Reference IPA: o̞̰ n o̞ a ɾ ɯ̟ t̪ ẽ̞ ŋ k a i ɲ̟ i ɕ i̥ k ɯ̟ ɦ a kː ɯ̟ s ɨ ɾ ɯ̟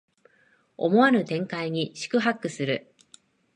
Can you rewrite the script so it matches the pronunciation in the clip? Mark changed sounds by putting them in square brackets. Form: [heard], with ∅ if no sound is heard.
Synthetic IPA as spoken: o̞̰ [m] o̞ a ɾ ɯ̟ t̪ ẽ̞ ŋ k a i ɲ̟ i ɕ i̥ k ɯ̟ ɦ a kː ɯ̟ s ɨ ɾ ɯ̟